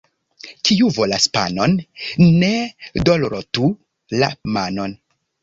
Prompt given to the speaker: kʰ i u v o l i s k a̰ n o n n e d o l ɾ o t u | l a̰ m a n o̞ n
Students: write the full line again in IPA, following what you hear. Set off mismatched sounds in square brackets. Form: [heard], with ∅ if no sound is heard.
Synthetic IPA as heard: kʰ i u v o l [a] s [p] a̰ n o n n e d o l ɾ o t u | l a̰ m a n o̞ n